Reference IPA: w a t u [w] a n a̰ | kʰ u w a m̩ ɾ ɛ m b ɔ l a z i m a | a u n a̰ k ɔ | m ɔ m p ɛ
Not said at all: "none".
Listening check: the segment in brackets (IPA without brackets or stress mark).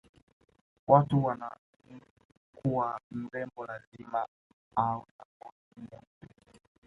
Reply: w